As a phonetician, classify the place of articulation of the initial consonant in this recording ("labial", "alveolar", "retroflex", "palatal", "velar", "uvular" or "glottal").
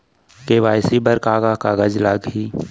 velar